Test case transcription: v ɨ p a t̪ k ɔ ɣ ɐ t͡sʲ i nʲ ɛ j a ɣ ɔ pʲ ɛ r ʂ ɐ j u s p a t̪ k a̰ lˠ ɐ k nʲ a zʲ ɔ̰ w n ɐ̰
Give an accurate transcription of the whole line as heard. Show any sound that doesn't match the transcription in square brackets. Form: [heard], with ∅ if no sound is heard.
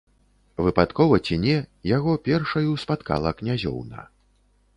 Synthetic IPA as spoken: v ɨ p a t̪ k ɔ [v] ɐ t͡sʲ i nʲ ɛ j a ɣ ɔ pʲ ɛ r ʂ ɐ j u s p a t̪ k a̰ lˠ ɐ k nʲ a zʲ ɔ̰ w n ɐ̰

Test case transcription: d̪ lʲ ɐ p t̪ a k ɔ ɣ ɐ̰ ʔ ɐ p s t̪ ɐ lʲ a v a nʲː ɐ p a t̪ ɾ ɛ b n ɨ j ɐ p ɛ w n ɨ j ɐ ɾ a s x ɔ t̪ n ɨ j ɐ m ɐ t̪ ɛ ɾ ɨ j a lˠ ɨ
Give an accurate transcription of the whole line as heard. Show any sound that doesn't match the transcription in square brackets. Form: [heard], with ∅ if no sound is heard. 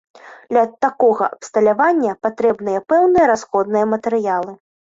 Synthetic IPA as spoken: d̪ lʲ ɐ [∅] t̪ a k ɔ ɣ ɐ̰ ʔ ɐ p s t̪ ɐ lʲ a v a nʲː ɐ p a t̪ ɾ ɛ b n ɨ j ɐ p ɛ w n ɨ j ɐ ɾ a s x ɔ [d̪] n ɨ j ɐ m ɐ t̪ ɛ ɾ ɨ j a lˠ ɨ

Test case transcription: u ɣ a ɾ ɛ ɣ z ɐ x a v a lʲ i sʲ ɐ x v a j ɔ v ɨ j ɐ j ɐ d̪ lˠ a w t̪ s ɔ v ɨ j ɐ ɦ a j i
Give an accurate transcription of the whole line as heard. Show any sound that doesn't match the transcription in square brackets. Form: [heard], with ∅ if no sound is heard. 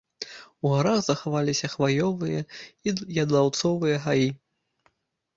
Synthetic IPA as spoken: u ɣ a ɾ [a] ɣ z ɐ x a v a lʲ i sʲ ɐ x v a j ɔ v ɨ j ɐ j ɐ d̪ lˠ a w t̪ s ɔ v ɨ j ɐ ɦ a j i

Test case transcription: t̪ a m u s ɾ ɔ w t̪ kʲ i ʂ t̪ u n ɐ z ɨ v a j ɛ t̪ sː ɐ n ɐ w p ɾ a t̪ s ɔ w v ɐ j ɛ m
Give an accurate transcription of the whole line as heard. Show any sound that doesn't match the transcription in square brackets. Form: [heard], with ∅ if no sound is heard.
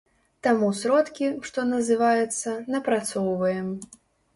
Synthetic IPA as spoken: t̪ a m u s ɾ ɔ [∅] t̪ kʲ i ʂ t̪ [ɔ] n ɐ z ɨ v a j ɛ t̪ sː ɐ n ɐ [∅] p ɾ a t̪ s ɔ w v ɐ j ɛ m

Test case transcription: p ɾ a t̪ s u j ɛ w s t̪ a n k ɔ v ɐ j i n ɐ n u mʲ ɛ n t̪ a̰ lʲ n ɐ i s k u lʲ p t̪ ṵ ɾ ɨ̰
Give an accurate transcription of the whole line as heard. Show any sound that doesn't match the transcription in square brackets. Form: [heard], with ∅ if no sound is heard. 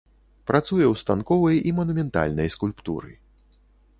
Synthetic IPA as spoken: p ɾ a t̪ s u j ɛ w s t̪ a n k ɔ v ɐ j i [m] ɐ n u mʲ ɛ n t̪ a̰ lʲ n ɐ [j] s k u lʲ p t̪ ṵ ɾ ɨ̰

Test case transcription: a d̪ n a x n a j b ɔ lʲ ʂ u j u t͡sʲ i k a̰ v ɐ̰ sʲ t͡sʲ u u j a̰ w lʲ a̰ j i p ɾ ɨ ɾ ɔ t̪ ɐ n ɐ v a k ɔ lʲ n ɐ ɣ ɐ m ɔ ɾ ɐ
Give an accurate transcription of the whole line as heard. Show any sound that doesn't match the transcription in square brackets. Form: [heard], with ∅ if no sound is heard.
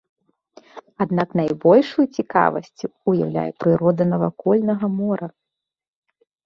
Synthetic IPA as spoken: a d̪ n a [k] n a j b ɔ lʲ ʂ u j u t͡sʲ i k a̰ v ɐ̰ sʲ t͡sʲ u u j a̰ w lʲ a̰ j [ɛ] p ɾ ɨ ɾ ɔ [d̪] ɐ n ɐ v a k ɔ lʲ n ɐ ɣ ɐ m ɔ ɾ ɐ

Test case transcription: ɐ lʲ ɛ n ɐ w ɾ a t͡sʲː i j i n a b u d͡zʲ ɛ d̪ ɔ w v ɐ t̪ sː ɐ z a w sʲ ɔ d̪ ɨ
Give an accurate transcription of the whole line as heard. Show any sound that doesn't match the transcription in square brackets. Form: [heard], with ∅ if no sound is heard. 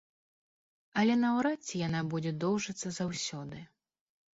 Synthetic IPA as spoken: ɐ lʲ ɛ n ɐ w ɾ a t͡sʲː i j [a] n a b u d͡zʲ ɛ d̪ ɔ w [ʐ] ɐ t̪ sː ɐ z a w sʲ ɔ d̪ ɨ

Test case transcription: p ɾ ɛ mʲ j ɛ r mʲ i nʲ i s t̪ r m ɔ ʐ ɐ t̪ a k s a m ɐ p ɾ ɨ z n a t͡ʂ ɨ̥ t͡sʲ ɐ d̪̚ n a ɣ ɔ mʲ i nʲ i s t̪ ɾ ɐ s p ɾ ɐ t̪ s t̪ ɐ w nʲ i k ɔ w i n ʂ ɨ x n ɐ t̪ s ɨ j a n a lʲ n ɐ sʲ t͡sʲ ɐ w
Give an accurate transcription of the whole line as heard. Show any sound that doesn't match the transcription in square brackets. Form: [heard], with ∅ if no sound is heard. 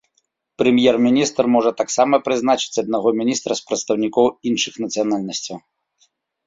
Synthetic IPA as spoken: p ɾ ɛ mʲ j ɛ r mʲ i nʲ i s t̪ r m ɔ ʐ ɐ t̪ a k s a m ɐ p ɾ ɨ z n a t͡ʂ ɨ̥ t͡sʲ ɐ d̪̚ n a ɣ ɔ mʲ i nʲ i s t̪ ɾ ɐ s p ɾ ɐ t̪ s t̪ ɐ w nʲ i k ɔ w i n ʂ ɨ x n ɐ t̪ s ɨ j a n a lʲ n ɐ sʲ t͡sʲ ɐ w

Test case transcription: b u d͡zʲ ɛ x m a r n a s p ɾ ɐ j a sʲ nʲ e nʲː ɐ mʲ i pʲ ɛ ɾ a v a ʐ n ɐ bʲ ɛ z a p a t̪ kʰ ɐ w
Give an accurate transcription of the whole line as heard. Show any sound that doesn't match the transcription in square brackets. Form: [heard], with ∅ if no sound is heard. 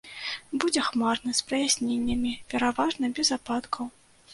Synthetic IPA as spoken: b u d͡zʲ ɛ x m a r n [ɐ] s p ɾ ɐ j a sʲ nʲ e nʲː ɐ mʲ i pʲ ɛ ɾ a v a ʐ n ɐ bʲ ɛ z a p a t̪ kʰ ɐ w

